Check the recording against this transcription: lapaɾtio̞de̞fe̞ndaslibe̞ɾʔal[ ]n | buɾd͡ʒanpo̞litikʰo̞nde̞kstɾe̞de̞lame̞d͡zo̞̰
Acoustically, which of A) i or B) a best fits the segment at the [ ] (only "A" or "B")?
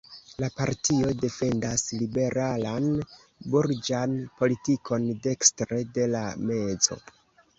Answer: B